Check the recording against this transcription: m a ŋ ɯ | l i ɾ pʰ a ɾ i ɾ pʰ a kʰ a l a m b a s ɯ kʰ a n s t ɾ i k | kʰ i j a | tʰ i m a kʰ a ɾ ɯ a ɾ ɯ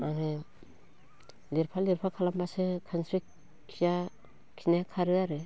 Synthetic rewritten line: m a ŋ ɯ | l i ɾ pʰ a l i ɾ pʰ a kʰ a l a m b a s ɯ kʰ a n s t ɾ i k | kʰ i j a | kʰ i n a kʰ a ɾ ɯ a ɾ ɯ